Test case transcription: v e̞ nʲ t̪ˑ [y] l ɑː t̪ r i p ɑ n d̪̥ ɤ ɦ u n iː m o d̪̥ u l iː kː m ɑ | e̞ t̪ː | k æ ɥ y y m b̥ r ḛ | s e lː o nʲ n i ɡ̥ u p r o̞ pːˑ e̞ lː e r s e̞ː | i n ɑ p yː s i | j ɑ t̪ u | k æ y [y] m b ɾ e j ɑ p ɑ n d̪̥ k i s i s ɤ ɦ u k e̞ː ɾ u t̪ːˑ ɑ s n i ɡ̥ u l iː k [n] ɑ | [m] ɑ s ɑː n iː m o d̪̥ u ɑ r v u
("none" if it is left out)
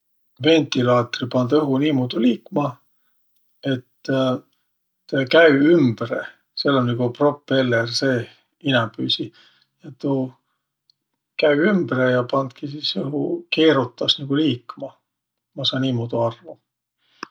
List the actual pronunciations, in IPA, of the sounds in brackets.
i, y, m, m

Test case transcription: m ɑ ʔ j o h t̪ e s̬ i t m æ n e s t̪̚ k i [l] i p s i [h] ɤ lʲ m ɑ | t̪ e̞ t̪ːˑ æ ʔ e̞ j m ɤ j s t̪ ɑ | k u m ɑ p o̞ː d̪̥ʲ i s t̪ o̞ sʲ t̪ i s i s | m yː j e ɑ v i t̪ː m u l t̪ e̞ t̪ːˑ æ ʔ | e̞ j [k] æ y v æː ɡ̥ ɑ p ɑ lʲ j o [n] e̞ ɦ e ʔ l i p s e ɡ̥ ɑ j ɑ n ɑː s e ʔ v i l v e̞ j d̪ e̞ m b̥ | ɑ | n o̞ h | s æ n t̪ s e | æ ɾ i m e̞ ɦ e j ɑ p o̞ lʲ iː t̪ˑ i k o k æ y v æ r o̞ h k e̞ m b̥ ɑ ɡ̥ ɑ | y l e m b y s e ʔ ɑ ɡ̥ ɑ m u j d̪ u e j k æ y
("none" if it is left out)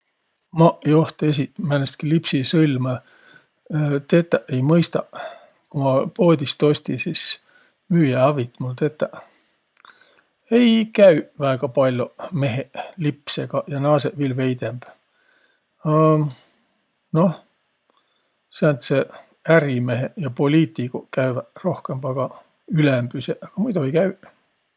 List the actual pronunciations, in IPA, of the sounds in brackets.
l, s, k, m

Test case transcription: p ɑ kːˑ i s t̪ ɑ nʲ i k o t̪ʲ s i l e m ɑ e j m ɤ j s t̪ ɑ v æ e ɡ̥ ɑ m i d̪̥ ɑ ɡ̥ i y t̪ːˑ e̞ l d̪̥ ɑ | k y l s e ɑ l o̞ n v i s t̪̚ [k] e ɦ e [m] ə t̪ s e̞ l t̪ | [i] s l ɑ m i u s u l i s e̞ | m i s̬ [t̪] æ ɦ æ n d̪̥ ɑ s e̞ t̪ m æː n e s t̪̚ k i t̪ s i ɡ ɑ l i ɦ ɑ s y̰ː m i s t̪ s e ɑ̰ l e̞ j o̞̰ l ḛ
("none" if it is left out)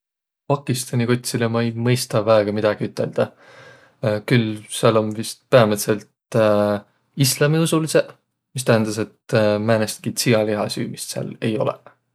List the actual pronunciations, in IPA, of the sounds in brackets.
p, m, i, t̪

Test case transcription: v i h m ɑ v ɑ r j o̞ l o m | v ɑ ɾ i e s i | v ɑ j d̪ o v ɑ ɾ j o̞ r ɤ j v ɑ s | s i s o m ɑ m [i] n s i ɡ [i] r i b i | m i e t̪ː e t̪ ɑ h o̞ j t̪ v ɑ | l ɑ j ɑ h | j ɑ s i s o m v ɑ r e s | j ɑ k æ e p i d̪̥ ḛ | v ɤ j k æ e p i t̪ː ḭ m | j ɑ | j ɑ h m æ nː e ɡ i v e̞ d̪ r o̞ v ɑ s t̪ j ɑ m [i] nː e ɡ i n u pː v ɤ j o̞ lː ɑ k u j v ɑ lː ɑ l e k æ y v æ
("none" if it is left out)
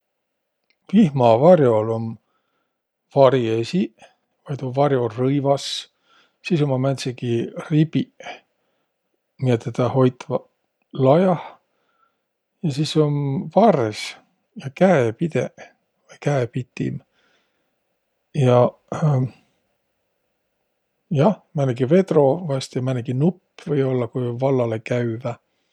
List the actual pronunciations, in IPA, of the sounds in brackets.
æ, i, æ

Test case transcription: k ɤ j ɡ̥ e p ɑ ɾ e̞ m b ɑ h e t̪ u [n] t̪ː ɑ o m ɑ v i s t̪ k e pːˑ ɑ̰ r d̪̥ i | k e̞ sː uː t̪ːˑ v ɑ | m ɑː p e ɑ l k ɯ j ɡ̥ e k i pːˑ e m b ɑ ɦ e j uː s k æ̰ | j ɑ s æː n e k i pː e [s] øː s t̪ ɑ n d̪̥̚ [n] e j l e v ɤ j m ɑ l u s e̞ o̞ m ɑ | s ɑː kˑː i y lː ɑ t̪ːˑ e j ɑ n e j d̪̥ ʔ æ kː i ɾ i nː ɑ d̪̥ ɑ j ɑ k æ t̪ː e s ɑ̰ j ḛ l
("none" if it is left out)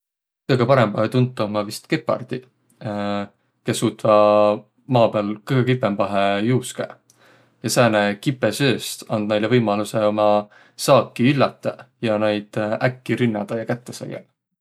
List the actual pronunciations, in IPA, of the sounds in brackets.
n, s, n

